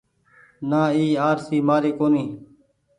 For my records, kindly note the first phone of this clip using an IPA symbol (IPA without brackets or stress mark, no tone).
n